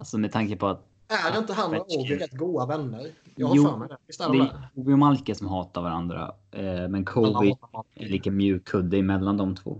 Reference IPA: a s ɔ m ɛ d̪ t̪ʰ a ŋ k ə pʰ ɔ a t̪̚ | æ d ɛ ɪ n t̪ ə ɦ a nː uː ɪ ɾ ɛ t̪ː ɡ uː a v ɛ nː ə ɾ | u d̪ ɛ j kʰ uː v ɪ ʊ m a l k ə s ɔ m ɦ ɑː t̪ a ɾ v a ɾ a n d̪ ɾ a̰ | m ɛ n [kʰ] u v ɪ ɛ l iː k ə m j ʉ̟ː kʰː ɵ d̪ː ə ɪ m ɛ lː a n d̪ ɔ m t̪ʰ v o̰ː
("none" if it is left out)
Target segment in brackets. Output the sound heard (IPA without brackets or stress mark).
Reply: kʰ